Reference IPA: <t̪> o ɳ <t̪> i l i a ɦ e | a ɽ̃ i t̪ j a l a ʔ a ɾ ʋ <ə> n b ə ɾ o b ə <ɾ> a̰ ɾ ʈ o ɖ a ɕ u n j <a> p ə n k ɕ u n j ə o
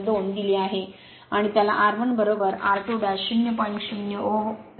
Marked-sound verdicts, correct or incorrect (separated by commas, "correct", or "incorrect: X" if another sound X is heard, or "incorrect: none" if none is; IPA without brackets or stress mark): incorrect: d̪, incorrect: d̪, correct, correct, incorrect: ə